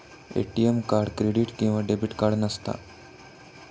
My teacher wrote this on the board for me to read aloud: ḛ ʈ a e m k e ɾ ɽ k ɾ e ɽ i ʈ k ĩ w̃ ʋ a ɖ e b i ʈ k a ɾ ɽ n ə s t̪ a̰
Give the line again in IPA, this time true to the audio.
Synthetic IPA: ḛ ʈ i e m k a ɾ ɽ k ɾ e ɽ i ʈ k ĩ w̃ ʋ a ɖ e b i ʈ k a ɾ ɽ n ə s t̪ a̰